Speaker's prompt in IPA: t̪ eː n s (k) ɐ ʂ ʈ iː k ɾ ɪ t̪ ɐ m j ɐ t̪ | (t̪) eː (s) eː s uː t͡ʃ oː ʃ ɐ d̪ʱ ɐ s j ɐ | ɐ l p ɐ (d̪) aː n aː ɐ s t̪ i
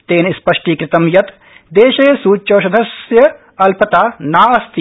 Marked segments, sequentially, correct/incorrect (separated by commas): incorrect, incorrect, incorrect, incorrect